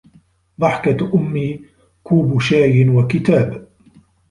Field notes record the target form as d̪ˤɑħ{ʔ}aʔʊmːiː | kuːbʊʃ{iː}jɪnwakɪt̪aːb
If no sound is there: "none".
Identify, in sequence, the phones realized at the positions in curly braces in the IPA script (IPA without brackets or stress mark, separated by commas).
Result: k, aː